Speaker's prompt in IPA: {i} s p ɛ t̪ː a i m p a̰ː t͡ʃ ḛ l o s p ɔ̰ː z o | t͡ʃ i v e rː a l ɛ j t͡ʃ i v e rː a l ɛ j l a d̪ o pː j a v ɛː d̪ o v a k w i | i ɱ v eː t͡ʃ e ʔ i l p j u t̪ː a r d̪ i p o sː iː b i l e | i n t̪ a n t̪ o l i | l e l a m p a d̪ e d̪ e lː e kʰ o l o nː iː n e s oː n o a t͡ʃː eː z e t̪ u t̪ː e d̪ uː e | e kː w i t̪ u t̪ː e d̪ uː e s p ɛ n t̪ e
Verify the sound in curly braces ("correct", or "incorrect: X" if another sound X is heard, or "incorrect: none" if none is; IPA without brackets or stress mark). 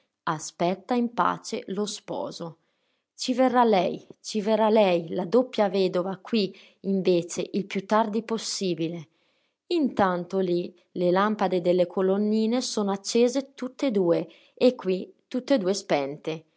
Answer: incorrect: a